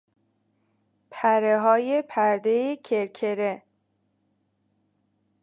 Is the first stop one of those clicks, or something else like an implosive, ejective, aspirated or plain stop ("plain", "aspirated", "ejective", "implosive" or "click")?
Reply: aspirated